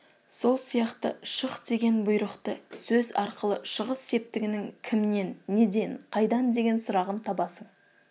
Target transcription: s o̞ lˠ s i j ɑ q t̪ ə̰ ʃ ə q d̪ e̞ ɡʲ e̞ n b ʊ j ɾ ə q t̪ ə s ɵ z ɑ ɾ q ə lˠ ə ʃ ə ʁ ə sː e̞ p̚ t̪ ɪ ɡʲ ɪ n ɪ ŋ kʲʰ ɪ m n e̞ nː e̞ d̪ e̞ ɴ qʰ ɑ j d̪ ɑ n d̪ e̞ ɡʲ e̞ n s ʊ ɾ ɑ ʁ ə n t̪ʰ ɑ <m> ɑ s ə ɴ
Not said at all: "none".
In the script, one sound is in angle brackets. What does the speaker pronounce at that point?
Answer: b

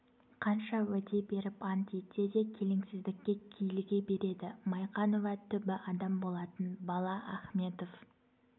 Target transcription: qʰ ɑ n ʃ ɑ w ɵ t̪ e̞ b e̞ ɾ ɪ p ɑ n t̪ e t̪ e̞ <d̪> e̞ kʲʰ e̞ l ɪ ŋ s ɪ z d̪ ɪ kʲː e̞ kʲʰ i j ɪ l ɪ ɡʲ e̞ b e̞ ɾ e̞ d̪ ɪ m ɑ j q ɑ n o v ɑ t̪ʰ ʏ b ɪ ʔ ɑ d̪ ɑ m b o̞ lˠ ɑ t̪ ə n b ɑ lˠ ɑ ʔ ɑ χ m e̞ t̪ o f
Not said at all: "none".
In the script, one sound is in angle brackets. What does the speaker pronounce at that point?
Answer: d̪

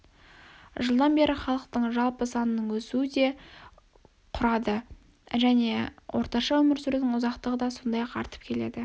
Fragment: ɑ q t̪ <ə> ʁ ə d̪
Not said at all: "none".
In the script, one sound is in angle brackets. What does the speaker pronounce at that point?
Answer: ə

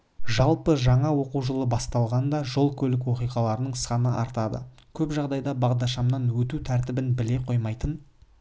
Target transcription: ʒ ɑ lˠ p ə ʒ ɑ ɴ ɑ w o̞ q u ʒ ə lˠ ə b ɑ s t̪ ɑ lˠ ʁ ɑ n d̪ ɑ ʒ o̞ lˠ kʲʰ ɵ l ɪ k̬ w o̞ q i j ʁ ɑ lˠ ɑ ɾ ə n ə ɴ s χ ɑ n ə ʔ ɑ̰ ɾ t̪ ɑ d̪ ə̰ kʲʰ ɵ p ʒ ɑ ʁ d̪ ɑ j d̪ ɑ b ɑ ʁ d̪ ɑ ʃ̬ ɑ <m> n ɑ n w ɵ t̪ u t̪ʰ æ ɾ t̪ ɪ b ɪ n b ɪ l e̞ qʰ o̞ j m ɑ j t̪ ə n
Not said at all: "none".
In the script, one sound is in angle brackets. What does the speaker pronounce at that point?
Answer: m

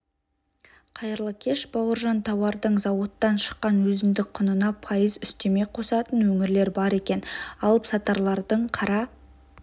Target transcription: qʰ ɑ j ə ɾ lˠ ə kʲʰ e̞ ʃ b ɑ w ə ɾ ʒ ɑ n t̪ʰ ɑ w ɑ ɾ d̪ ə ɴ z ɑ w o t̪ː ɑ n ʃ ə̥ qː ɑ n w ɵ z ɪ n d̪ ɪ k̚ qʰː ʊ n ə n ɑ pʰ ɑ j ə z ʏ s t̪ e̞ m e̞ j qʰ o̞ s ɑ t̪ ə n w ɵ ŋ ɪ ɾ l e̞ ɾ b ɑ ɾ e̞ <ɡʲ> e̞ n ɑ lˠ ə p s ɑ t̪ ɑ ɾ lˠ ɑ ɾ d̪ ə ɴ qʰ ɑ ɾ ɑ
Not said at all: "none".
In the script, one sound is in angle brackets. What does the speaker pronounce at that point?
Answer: kʲ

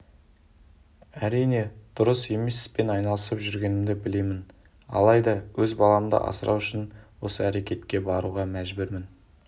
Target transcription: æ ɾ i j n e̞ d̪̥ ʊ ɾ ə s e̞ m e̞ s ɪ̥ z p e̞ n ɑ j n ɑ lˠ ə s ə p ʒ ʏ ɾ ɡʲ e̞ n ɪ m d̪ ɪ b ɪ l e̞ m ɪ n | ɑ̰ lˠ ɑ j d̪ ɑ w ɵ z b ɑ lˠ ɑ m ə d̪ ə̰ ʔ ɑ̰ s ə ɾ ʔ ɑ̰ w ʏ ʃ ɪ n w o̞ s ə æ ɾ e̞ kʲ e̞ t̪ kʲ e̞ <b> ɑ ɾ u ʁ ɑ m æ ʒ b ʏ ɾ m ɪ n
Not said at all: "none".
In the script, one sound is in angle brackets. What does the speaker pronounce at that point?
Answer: b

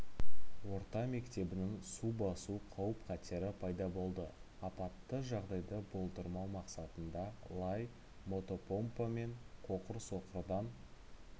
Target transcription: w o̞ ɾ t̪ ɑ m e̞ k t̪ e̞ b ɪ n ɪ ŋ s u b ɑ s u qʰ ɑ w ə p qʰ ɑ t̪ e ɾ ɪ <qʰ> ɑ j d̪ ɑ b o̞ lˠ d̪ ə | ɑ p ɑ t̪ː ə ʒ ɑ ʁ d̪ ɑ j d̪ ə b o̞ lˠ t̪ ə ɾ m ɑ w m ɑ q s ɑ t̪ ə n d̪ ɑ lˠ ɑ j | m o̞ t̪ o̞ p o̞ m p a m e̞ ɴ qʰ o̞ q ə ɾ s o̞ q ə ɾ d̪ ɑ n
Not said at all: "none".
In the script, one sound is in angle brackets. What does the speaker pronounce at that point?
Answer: pʰ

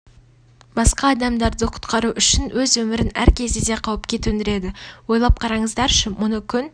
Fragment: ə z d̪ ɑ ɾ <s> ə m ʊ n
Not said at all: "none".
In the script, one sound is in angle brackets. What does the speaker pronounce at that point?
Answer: ʃ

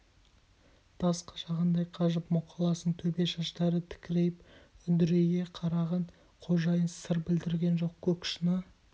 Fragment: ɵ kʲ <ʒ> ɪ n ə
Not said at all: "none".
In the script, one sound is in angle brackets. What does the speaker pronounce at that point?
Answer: ʃ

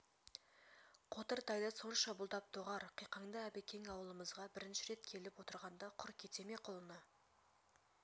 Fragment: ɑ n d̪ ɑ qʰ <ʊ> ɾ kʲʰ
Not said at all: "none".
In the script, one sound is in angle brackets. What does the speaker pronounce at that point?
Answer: ʊ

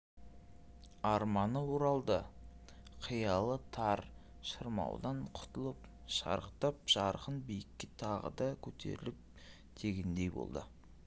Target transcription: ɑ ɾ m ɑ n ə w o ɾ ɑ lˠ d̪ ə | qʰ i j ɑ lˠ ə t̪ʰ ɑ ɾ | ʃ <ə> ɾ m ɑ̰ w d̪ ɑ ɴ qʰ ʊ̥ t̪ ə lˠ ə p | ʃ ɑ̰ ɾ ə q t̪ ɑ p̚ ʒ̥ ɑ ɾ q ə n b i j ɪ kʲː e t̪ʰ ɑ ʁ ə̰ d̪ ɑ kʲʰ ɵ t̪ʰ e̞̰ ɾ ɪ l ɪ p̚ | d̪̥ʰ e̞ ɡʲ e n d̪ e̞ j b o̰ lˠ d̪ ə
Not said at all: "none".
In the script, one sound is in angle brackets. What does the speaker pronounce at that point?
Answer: ə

